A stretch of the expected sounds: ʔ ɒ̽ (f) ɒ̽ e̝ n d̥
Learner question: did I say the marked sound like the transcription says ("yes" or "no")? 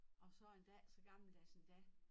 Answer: no